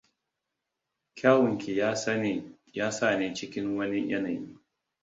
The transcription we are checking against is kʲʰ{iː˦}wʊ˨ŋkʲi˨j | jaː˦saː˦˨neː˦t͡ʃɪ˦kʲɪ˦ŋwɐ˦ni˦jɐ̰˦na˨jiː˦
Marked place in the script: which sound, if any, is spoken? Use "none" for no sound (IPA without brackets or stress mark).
aː˦